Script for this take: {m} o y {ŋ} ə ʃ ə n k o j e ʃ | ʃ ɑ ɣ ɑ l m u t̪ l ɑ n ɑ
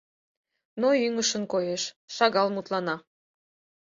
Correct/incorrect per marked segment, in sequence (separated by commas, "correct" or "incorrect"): incorrect, correct